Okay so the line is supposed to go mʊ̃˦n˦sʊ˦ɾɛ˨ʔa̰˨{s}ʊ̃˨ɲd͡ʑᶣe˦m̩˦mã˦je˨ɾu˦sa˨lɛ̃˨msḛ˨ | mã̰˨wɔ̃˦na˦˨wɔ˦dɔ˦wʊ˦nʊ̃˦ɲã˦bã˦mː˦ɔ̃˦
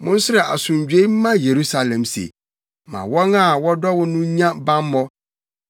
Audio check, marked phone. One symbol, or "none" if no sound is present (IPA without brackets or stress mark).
s